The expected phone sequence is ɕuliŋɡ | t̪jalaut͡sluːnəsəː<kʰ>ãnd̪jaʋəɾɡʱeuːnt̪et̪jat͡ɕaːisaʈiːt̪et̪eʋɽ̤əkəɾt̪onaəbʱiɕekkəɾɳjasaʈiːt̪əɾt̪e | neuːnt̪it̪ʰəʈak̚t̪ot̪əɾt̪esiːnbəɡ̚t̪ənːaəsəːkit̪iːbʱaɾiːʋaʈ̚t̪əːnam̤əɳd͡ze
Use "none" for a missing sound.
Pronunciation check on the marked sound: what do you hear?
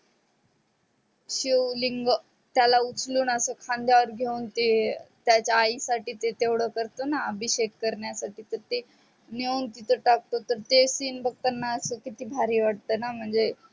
kʰ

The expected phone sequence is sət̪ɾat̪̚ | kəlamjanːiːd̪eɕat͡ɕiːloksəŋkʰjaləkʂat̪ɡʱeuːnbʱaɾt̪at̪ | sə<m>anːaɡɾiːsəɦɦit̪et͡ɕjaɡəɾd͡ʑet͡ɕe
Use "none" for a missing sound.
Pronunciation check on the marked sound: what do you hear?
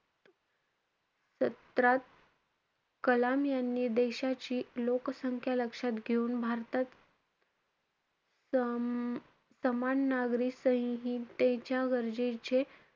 m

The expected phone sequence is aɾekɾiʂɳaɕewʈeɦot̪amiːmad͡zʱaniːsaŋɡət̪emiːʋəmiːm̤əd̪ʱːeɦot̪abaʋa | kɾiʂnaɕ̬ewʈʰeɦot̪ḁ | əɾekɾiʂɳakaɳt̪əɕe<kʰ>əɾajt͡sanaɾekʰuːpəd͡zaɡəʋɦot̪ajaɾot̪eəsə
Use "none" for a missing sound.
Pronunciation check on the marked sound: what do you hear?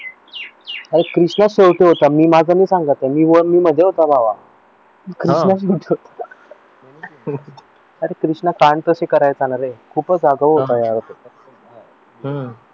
k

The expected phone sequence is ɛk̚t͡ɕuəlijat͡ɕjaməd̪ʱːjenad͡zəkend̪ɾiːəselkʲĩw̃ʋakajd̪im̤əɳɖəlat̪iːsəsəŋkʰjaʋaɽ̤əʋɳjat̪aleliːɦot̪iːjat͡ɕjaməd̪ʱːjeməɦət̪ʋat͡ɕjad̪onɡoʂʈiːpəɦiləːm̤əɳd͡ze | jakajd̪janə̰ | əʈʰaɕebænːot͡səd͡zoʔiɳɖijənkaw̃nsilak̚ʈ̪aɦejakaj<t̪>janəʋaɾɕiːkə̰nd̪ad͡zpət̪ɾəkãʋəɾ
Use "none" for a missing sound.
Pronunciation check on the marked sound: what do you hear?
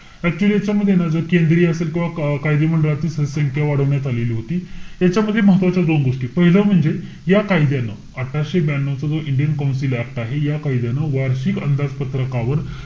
d̪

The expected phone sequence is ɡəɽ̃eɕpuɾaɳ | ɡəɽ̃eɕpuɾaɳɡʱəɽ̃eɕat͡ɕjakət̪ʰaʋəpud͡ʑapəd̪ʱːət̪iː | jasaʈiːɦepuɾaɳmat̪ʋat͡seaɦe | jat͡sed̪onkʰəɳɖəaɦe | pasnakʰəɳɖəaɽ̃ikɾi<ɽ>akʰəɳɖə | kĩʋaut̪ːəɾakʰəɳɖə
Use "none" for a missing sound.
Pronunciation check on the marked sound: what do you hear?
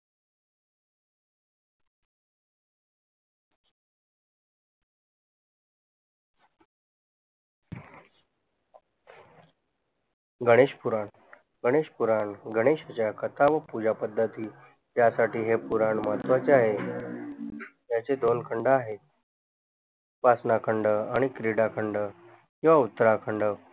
ɽ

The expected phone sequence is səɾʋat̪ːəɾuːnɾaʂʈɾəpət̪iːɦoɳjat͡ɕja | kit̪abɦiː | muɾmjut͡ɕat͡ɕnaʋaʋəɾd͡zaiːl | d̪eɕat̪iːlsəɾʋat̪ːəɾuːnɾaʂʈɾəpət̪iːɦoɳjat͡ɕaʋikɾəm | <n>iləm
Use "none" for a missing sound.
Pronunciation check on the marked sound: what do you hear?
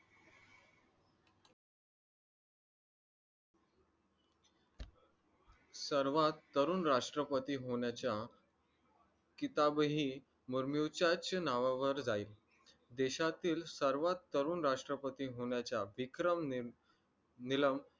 n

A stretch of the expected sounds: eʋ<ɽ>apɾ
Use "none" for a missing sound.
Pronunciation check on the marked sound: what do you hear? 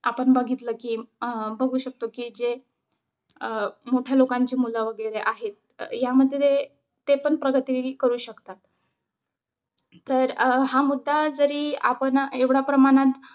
ɽ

